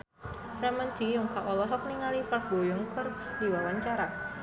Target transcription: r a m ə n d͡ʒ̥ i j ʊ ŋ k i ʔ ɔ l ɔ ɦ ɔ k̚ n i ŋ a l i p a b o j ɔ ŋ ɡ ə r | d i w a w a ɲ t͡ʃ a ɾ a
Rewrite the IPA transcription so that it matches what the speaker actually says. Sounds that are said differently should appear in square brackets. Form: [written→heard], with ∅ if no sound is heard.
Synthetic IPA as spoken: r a m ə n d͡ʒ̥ i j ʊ ŋ k [i→a] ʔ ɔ l ɔ ɦ ɔ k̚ n i ŋ a l i p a b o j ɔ ŋ [ɡ→k] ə r | d i w a w a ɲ t͡ʃ a ɾ a